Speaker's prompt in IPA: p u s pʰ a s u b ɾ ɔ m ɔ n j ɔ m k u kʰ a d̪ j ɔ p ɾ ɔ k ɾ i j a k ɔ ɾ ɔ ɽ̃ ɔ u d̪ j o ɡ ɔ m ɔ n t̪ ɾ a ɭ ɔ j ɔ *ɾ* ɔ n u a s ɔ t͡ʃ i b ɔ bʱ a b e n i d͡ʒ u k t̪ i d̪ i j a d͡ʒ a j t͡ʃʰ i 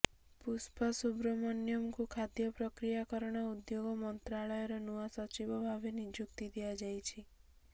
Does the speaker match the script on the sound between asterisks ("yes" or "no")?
yes